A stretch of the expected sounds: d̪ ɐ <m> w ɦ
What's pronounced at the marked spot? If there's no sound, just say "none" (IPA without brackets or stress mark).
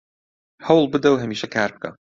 none